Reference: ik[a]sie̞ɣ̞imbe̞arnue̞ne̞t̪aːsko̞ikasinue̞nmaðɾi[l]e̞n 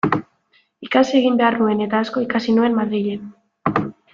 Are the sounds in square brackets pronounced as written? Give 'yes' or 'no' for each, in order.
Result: yes, no

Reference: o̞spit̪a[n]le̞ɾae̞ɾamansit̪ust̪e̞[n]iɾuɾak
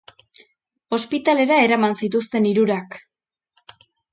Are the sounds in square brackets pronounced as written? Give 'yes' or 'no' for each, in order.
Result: no, yes

